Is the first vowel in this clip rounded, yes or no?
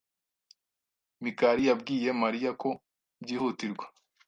no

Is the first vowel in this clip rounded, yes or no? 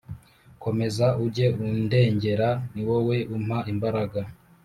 yes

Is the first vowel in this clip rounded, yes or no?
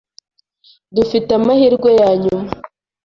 yes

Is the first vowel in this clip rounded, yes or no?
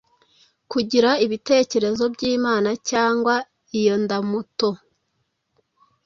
yes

